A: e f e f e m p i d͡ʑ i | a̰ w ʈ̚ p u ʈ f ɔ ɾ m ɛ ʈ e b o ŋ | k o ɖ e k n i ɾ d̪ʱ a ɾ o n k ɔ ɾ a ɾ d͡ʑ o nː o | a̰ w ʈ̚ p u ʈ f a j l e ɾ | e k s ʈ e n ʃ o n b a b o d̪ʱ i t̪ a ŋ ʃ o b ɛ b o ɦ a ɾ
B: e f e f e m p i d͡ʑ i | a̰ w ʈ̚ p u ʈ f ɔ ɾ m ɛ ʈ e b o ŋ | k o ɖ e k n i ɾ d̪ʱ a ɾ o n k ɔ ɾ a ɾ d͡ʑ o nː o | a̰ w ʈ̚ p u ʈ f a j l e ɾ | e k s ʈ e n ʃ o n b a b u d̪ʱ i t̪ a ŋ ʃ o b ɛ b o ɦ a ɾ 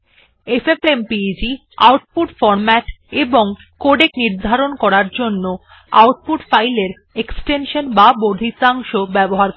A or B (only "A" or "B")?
A